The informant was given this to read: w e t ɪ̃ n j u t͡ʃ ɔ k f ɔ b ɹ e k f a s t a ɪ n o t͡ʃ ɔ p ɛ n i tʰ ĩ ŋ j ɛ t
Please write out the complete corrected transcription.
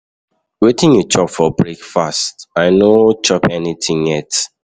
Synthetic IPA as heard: w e t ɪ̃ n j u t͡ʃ ɔ p f ɔ b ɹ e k f a s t a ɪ n o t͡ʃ ɔ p ɛ n i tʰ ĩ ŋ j ɛ t